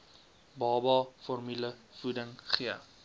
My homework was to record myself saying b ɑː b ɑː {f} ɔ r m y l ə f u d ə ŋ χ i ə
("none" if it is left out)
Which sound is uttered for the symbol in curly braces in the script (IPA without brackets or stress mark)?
f